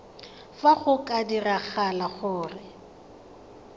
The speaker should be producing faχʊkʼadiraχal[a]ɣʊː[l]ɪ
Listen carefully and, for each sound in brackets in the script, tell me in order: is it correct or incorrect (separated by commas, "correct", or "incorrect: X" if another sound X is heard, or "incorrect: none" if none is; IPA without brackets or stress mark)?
correct, incorrect: r